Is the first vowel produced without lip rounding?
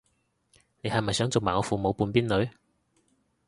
yes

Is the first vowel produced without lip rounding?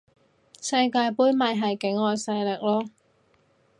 yes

